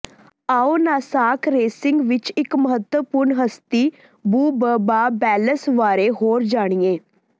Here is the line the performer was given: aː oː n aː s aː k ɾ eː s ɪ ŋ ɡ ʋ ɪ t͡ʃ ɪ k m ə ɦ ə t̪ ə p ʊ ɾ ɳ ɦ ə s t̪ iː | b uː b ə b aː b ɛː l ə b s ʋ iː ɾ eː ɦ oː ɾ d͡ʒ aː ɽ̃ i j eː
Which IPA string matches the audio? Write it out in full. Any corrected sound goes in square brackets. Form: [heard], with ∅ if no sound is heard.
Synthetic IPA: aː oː n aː s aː k ɾ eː s ɪ ŋ ɡ ʋ ɪ t͡ʃ ɪ k m ə ɦ ə t̪ ə p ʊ ɾ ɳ ɦ ə s t̪ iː | b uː b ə b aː b ɛː l ə [∅] s ʋ [aː] ɾ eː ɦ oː ɾ d͡ʒ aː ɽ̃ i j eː